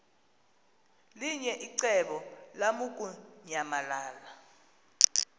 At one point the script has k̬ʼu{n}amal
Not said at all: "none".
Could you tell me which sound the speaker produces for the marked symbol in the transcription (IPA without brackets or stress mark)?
ɲ